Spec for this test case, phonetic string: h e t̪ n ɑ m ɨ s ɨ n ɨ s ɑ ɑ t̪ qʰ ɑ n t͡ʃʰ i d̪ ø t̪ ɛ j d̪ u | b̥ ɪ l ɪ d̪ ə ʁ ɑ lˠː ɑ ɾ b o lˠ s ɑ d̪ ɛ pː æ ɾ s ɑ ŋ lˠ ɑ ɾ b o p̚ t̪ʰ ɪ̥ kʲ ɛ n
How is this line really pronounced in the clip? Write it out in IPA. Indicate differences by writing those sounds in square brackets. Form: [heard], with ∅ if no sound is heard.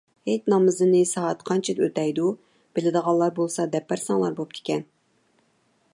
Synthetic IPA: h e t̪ n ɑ m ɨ [z] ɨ n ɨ s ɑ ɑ t̪ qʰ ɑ n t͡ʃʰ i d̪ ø t̪ ɛ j d̪ u | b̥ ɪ l ɪ d̪ ə ʁ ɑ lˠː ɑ ɾ b o lˠ s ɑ d̪ ɛ pː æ ɾ s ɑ ŋ lˠ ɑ ɾ b o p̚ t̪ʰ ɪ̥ kʲ ɛ n